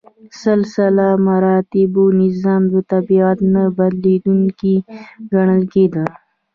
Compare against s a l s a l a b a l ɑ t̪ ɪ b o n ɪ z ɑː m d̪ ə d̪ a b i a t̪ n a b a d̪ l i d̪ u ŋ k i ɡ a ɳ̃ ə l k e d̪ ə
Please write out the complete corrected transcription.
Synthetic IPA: s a l s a l a m a ɾ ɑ t̪ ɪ b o n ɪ z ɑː m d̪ ə t̪ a b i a t̪ n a b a d̪ l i d̪ u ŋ k i ɡ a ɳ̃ ə l k e d̪ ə